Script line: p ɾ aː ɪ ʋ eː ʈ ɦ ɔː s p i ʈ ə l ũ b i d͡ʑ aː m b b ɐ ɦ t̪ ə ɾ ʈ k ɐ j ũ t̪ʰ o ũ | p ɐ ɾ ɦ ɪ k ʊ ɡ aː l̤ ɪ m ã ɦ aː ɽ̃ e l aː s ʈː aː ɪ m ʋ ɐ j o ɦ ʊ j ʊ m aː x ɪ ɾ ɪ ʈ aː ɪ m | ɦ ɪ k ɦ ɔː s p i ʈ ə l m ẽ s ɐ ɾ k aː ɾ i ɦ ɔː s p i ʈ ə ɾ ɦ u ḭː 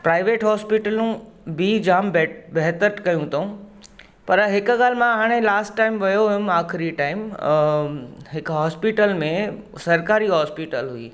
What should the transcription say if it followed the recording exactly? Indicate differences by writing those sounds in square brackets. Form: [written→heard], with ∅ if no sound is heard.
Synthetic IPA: p ɾ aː ɪ ʋ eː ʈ ɦ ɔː s p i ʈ ə l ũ b i d͡ʑ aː m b b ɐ ɦ t̪ ə ɾ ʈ k ɐ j ũ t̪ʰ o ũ | p ɐ ɾ ɦ ɪ k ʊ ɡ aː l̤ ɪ m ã ɦ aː ɽ̃ e l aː s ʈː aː ɪ m ʋ ɐ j o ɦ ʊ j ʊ m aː x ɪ ɾ [ɪ→i] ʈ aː ɪ m | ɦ ɪ k ɦ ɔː s p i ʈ ə l m ẽ s ɐ ɾ k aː ɾ i ɦ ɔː s p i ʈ ə [ɾ→l] ɦ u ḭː